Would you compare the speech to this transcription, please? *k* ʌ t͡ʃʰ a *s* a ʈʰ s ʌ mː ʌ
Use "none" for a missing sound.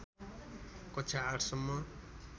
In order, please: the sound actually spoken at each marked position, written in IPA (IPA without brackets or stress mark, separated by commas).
k, none